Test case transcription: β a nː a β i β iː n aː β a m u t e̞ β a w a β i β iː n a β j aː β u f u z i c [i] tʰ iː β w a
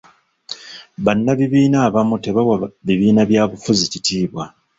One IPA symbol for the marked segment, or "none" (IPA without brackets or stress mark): i